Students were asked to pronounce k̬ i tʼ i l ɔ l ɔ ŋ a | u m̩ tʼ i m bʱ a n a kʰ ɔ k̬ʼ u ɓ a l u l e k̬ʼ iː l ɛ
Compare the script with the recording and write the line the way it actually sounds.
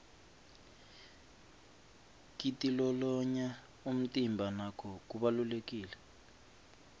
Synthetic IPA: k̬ i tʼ i l ɔ l ɔ ɲ a | u m̩ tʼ i m bʱ a n a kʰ ɔ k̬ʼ u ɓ a l u l e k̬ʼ iː l ɛ